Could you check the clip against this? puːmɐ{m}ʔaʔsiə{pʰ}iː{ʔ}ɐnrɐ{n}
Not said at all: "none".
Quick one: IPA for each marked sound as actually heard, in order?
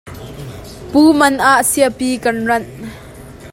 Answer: n, p, k, n

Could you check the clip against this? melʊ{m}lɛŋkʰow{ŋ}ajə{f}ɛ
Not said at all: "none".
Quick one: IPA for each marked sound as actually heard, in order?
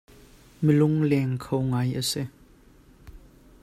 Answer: ŋ, ŋ, s

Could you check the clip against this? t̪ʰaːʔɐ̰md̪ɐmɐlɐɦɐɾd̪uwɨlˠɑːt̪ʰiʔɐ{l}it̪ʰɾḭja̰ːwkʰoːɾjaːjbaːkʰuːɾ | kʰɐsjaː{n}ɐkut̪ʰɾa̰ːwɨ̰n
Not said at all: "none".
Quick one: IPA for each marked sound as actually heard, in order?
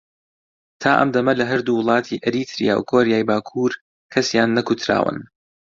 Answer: ɾ, nː

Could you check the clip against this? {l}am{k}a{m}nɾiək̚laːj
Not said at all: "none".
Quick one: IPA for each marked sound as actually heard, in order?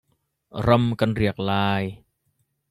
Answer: ɾ, k, none

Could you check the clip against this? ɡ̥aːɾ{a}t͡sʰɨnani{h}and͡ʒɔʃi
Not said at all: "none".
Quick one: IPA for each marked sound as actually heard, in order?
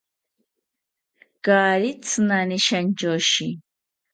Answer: i, ʃ

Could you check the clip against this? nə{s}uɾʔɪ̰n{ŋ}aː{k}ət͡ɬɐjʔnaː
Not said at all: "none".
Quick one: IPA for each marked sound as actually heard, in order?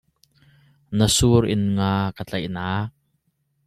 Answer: s, ŋ, k

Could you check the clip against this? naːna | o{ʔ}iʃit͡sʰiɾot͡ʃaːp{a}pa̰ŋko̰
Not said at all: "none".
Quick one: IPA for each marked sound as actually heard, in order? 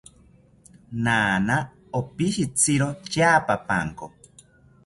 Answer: p, a

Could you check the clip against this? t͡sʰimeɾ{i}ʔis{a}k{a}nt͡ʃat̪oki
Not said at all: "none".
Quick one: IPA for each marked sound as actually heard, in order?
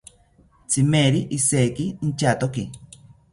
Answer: i, e, i

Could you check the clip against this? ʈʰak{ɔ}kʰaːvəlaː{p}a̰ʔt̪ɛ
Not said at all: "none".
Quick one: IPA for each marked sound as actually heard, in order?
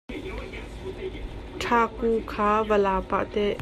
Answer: u, p

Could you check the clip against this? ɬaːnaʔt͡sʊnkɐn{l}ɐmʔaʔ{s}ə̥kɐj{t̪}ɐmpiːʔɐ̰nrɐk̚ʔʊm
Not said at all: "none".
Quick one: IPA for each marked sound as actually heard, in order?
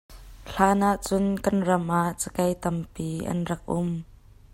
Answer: r, t͡s, t̪

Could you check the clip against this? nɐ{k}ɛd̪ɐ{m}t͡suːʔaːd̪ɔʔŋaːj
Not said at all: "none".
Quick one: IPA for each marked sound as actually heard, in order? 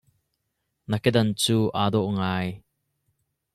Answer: k, n

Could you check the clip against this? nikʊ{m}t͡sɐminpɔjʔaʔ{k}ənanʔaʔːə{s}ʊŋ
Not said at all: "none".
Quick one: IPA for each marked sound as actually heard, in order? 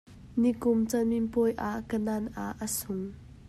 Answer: m, k, s

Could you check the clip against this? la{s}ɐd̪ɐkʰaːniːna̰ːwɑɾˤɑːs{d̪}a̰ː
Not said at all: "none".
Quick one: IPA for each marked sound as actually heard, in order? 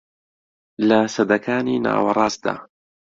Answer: s, d̪

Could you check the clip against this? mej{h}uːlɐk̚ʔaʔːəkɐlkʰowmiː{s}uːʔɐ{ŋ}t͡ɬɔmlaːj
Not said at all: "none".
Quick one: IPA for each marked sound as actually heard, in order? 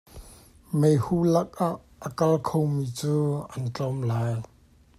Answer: h, t͡s, n

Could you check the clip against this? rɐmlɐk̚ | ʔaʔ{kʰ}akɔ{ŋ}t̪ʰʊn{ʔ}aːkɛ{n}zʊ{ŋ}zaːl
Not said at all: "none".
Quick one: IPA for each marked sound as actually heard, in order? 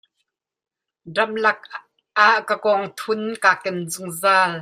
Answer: k, ŋ, k, n, ŋ

